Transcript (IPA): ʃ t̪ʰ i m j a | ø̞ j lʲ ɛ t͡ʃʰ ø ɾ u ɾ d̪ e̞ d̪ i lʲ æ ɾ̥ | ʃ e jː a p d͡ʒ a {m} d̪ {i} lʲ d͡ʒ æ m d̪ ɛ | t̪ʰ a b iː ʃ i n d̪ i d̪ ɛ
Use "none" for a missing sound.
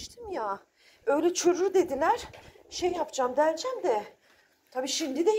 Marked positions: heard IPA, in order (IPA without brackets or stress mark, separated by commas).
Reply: m, æ